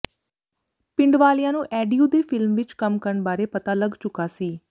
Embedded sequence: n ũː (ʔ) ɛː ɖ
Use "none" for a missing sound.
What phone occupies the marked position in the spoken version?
ʔ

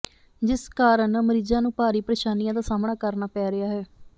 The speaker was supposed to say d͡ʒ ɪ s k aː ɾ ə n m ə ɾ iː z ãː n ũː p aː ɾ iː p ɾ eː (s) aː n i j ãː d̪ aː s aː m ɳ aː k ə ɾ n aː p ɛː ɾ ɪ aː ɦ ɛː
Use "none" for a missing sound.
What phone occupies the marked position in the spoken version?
ʃ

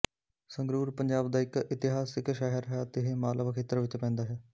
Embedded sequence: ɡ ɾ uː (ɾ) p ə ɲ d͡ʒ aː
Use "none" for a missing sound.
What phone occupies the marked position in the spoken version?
ɾ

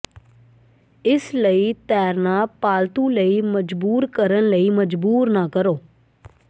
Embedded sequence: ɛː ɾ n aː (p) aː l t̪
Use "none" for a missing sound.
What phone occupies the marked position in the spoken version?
p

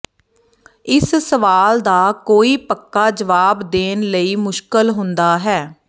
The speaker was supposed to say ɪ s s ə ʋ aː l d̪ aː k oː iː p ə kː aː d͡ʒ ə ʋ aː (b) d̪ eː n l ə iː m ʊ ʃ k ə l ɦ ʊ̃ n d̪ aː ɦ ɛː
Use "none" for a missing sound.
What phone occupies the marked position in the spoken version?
b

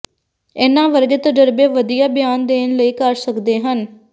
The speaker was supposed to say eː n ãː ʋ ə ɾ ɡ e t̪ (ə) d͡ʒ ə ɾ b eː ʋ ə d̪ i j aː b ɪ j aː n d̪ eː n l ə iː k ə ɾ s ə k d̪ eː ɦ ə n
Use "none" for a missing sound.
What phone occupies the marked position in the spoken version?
ə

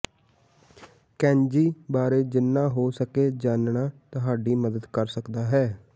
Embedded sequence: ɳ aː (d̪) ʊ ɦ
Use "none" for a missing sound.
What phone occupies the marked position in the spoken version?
t̪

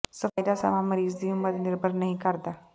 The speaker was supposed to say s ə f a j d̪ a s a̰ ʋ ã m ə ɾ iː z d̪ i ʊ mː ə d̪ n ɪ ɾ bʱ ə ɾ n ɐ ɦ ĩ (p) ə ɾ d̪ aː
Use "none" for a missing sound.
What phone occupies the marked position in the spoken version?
k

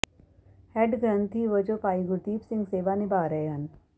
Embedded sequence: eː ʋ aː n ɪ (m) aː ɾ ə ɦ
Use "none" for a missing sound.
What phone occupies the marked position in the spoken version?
b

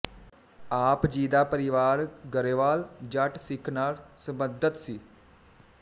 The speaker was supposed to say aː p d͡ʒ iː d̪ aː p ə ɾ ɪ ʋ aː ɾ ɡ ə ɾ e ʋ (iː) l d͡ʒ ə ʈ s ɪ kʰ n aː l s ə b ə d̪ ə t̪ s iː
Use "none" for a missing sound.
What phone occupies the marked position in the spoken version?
aː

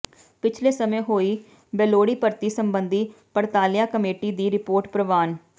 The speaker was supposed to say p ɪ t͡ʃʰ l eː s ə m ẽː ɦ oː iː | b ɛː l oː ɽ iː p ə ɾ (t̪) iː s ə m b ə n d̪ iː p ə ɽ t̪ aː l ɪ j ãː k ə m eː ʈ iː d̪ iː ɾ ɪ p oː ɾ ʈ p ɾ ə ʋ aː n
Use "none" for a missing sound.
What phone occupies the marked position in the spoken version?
t̪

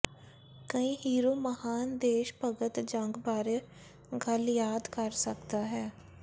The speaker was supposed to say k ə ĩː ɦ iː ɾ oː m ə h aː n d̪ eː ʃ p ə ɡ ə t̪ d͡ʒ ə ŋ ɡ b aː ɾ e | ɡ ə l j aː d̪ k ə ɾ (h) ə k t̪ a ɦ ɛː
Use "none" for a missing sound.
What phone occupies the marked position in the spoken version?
s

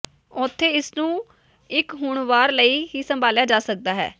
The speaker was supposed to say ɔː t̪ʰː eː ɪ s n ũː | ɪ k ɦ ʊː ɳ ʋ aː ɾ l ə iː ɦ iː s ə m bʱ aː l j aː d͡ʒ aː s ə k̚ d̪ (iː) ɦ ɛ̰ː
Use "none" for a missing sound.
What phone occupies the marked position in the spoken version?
aː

